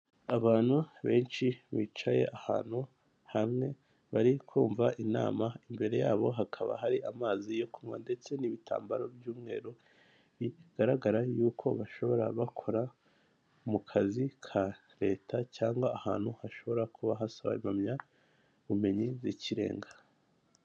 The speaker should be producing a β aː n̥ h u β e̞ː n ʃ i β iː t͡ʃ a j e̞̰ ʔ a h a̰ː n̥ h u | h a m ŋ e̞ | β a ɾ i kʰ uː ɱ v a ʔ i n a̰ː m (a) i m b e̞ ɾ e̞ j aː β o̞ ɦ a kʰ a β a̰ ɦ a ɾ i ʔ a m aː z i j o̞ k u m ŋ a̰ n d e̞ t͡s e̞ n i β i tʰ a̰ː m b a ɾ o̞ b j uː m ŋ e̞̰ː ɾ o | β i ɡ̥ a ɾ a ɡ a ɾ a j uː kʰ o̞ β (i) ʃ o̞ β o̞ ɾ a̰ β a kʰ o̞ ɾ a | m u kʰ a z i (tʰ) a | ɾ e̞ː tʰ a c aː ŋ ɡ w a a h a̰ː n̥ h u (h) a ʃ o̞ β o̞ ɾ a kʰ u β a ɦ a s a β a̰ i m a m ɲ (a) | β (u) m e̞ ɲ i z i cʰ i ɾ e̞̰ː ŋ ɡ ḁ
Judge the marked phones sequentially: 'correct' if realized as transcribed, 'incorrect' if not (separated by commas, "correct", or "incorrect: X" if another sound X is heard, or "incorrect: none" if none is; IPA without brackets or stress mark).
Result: correct, incorrect: a, incorrect: kʰ, correct, correct, correct